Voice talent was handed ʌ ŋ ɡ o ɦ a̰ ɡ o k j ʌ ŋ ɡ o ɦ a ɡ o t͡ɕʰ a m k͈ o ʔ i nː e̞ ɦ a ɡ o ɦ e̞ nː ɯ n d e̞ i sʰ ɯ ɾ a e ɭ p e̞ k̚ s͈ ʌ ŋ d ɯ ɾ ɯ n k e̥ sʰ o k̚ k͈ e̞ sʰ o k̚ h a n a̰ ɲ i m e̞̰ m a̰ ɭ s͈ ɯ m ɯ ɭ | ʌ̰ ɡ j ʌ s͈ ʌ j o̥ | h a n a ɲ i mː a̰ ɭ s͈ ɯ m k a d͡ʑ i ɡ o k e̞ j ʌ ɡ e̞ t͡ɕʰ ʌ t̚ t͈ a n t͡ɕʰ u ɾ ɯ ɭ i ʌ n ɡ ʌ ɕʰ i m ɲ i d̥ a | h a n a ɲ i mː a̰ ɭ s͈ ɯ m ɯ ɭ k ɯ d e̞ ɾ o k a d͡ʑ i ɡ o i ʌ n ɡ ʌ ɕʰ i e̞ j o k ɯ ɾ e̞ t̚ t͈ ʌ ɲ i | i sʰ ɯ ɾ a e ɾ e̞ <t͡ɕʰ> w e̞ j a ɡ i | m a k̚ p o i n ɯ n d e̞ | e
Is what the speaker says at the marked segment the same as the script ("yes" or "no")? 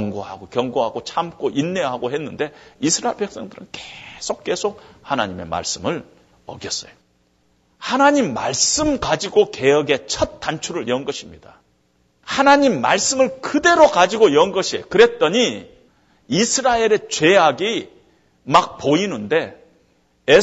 no